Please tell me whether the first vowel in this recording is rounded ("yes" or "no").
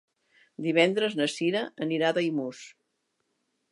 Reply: no